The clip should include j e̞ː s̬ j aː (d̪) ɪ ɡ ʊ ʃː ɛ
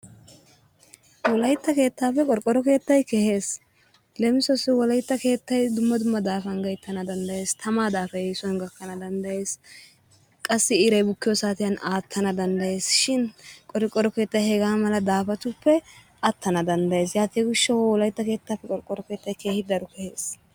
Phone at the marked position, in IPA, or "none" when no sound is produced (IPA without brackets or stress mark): t̪